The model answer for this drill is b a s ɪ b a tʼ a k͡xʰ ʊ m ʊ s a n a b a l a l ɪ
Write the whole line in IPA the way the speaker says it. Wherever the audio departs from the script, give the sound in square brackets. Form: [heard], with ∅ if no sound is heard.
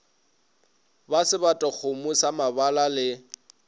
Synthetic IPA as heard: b a s ɪ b a tʼ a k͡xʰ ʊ m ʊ s a [m] a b a l a l ɪ